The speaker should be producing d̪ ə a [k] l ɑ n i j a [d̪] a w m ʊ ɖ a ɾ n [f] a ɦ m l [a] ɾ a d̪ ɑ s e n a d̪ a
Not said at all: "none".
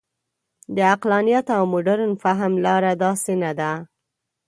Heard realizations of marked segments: q, t̪, f, ɑ

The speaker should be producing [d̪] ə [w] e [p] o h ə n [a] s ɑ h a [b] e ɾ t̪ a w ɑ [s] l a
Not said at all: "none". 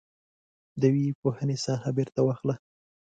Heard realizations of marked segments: d̪, w, p, e, b, x

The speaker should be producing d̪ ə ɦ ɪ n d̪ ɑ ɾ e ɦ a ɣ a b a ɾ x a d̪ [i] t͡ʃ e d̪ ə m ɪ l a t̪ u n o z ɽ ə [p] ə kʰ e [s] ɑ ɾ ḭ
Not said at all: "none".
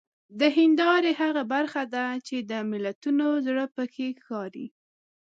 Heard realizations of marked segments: a, p, x

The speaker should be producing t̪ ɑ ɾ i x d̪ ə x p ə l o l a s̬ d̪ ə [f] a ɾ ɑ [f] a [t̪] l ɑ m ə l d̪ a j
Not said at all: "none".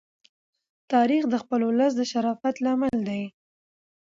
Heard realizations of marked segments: ʃ, f, t̪

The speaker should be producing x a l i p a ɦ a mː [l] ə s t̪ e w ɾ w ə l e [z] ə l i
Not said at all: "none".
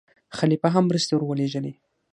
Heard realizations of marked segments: ɾ, ʒ

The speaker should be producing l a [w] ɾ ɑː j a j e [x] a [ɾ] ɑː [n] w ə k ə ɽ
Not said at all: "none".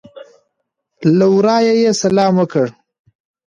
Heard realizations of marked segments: w, s, l, m

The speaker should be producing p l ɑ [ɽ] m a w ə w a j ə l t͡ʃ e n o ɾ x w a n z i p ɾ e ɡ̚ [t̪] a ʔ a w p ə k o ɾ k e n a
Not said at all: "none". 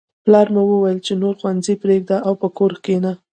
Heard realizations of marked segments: ɾ, d̪

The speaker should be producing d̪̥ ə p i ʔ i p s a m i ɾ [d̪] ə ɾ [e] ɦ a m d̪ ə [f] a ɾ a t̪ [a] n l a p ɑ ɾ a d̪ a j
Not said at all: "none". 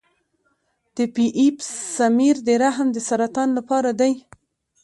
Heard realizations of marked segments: d̪, a, s, ɑ

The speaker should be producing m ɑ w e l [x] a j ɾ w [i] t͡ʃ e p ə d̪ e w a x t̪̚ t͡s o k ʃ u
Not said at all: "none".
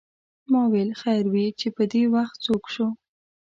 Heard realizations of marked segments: x, i

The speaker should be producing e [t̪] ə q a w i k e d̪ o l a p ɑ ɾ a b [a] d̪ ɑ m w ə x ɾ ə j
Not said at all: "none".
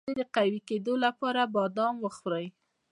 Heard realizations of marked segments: d̪, ɑ

